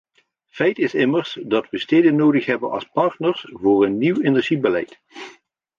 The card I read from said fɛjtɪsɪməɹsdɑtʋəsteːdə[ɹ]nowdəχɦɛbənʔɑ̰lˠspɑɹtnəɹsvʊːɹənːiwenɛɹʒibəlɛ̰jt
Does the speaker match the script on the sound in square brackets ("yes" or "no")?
no